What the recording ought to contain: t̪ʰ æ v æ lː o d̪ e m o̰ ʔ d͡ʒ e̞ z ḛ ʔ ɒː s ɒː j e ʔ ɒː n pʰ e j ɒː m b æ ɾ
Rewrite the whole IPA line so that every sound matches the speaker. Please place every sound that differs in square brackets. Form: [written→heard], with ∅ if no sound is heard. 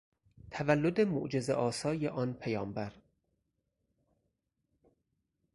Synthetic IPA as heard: t̪ʰ æ v æ lː o d̪ e m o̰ ʔ d͡ʒ e̞ z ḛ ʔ ɒː s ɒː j e ʔ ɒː n pʰ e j ɒː m b æ ɾ

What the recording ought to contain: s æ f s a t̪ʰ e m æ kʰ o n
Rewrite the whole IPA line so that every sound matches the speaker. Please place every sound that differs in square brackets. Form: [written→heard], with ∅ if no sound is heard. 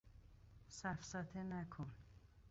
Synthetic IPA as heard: s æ f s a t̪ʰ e [m→n] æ kʰ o n

